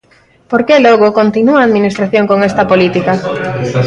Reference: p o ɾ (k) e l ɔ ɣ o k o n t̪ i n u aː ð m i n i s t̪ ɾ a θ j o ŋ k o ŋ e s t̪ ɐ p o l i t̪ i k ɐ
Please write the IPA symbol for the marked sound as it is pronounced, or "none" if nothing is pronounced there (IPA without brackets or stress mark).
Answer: k